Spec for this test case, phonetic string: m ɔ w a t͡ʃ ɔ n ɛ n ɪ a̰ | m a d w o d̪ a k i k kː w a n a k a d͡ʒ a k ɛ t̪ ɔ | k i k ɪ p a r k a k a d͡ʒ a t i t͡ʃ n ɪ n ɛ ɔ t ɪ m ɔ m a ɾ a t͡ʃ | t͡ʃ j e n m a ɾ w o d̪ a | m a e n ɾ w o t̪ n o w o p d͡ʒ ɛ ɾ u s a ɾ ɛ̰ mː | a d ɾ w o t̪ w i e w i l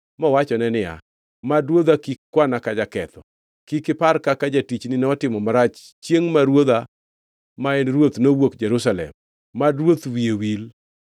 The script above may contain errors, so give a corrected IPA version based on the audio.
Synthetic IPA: m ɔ w a t͡ʃ ɔ n ɛ n ɪ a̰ | m a d w o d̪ a k i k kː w a n a k a d͡ʒ a k ɛ t̪ ɔ | k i k ɪ p a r k a k a d͡ʒ a t i t͡ʃ n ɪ n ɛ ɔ t ɪ m ɔ m a ɾ a t͡ʃ | t͡ʃ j e ŋ m a ɾ w o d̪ a | m a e n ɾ w o t̪ n o w o k d͡ʒ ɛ ɾ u s a l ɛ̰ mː | a d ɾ w o t̪ w i e w i l

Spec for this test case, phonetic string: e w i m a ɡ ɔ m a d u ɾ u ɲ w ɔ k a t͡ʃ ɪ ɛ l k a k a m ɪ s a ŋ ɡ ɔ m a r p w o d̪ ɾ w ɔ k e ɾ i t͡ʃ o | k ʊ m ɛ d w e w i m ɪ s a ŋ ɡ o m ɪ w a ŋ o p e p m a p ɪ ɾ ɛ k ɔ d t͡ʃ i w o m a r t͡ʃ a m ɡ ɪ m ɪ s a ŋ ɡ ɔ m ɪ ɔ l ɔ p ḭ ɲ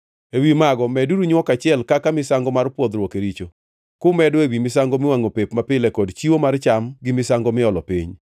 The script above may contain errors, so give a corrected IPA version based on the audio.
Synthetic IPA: e w i m a ɡ ɔ m ɛ d u ɾ u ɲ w ɔ k a t͡ʃ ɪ ɛ l k a k a m ɪ s a ŋ ɡ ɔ m a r p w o d̪ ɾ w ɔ k e ɾ i t͡ʃ o | k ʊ m ɛ d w e w i m ɪ s a ŋ ɡ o m ɪ w a ŋ o p e p m a p ɪ l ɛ k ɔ d t͡ʃ i w o m a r t͡ʃ a m ɡ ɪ m ɪ s a ŋ ɡ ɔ m ɪ ɔ l ɔ p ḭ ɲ

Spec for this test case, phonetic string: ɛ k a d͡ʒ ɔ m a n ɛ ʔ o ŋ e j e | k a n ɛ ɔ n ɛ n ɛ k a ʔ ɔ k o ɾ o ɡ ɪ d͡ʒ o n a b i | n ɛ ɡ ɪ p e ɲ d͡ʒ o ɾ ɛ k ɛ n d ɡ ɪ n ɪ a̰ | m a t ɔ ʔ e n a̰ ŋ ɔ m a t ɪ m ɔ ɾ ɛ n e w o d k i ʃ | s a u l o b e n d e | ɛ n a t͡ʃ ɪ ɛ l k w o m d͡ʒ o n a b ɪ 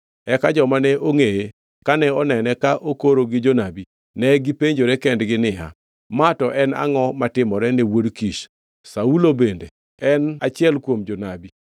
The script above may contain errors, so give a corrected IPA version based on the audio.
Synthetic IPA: ɛ k a d͡ʒ ɔ m a n ɛ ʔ o ŋ e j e | k a n ɛ ɔ n ɛ n ɛ k a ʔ o k o ɾ o ɡ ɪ d͡ʒ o n a b i | n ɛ ɡ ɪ p e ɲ d͡ʒ o ɾ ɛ k ɛ n d ɡ ɪ n ɪ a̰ | m a t ɔ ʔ ɛ n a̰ ŋ ɔ m a t ɪ m ɔ ɾ ɛ n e w o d k i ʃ | s a u l o b e n d e | ɛ n a t͡ʃ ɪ ɛ l k w o m d͡ʒ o n a b i

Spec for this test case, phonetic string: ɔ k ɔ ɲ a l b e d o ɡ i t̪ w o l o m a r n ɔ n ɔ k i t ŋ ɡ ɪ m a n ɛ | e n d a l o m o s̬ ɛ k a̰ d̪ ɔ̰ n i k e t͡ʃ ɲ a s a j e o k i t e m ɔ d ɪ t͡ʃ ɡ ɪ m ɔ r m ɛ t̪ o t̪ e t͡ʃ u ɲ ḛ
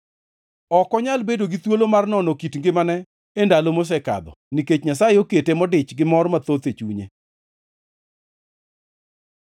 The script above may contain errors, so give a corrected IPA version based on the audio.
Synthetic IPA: ɔ k ɔ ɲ a l b e d o ɡ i t̪ w o l o m a r n ɔ n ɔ k i t ŋ ɡ ɪ m a n ɛ | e n d a l o m o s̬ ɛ k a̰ d̪ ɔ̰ n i k e t͡ʃ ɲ a s a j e o k e t e m ɔ d ɪ t͡ʃ ɡ ɪ m ɔ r m a t̪ o t̪ e t͡ʃ u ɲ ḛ

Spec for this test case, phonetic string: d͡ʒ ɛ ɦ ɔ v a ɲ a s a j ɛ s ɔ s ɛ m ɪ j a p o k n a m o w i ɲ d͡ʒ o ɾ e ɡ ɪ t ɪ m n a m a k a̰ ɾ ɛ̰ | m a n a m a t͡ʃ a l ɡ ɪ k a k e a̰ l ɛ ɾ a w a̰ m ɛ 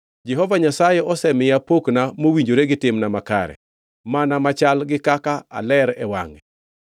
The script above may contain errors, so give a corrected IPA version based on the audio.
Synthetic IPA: d͡ʒ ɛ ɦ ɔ v a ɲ a s a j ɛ ɔ s ɛ m ɪ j a p o k n a m o w i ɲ d͡ʒ o ɾ e ɡ ɪ t ɪ m n a m a k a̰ ɾ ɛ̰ | m a n a m a t͡ʃ a l ɡ ɪ k a k a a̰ l ɛ ɾ ɛ w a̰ ŋ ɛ

